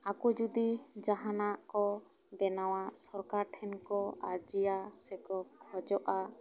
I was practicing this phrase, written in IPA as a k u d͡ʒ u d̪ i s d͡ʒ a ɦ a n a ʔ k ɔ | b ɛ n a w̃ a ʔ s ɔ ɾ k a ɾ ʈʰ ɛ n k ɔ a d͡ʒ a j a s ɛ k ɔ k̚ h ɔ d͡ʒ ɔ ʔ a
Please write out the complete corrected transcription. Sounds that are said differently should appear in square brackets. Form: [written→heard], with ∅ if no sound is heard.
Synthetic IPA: a k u d͡ʒ u d̪ i [s→∅] d͡ʒ a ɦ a n a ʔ k ɔ | b ɛ n a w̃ a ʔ s ɔ ɾ k a ɾ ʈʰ ɛ n k ɔ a d͡ʒ [a→i] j a s ɛ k ɔ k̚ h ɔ d͡ʒ ɔ ʔ a